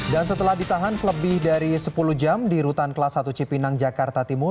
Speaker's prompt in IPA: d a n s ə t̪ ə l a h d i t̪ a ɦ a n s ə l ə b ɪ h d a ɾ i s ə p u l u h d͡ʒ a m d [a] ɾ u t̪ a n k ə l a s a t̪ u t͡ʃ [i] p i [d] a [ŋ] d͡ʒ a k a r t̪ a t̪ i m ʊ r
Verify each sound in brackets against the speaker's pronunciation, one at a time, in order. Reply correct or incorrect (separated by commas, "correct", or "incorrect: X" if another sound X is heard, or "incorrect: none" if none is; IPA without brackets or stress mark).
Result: incorrect: i, correct, incorrect: n, correct